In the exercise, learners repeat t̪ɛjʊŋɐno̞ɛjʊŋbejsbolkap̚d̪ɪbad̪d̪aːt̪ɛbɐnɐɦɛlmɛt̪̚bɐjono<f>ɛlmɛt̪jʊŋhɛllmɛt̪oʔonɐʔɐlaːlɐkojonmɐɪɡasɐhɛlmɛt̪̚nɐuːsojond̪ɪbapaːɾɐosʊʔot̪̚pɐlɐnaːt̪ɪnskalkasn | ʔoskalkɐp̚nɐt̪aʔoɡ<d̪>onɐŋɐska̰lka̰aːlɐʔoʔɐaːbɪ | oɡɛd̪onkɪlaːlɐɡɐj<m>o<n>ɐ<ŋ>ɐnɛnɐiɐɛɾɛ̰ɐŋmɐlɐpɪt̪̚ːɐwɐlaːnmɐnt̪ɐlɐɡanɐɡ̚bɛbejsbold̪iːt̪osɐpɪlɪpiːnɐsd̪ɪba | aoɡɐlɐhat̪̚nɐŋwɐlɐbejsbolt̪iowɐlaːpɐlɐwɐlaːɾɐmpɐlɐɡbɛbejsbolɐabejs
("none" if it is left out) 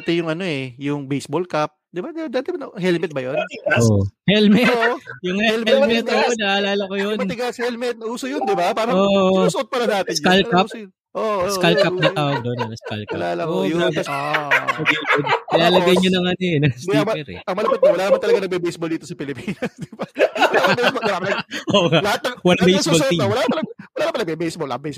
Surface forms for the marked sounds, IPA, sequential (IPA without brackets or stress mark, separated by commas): h, d̪, ɲ, n, ŋ